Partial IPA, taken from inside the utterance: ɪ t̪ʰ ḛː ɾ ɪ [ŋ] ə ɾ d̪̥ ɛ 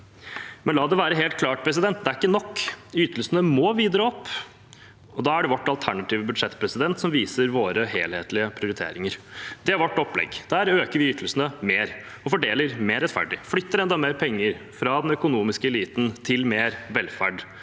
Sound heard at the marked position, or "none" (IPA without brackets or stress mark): ŋ